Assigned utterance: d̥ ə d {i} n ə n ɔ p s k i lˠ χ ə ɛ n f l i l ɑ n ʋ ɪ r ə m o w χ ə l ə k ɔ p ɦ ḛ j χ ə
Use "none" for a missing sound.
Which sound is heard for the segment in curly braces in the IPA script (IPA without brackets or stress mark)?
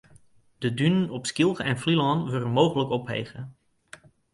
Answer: y